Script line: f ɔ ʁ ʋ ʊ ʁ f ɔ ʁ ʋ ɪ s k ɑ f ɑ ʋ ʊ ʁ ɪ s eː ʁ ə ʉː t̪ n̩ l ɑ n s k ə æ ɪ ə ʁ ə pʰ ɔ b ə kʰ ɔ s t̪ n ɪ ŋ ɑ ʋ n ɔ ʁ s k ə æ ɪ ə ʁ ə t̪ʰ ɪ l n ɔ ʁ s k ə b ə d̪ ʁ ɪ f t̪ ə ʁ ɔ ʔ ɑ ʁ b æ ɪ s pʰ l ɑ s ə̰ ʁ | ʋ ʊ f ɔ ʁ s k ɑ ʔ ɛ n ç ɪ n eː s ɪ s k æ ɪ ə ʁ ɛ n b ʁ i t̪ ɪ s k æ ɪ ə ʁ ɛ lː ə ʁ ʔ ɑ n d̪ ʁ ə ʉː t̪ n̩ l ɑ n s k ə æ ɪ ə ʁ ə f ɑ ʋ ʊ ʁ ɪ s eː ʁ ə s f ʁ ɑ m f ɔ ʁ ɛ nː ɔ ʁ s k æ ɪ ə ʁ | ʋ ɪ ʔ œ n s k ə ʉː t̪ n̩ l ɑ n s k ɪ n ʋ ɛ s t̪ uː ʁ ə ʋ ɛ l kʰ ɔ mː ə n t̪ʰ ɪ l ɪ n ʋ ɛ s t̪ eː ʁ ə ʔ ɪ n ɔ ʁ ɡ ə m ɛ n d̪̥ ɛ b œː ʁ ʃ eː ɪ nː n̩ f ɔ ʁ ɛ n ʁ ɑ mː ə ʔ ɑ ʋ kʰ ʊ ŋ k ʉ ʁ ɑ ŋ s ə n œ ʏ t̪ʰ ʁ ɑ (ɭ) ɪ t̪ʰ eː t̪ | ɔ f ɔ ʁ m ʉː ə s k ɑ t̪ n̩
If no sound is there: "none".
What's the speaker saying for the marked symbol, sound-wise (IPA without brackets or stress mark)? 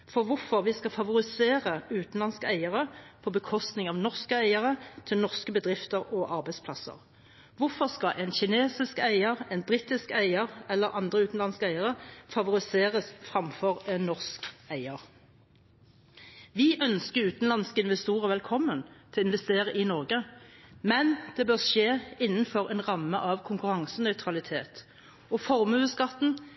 l